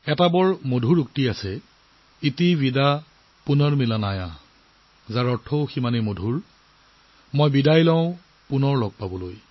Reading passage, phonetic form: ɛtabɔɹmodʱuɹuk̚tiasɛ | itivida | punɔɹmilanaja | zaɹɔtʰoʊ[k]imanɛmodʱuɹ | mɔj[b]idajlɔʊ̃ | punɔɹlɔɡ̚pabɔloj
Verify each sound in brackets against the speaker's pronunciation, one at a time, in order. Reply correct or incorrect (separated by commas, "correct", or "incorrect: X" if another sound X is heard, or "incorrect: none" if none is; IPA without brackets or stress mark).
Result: incorrect: x, correct